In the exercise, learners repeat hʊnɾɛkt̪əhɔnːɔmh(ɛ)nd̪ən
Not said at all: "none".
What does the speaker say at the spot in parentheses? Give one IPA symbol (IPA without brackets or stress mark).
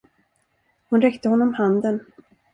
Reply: a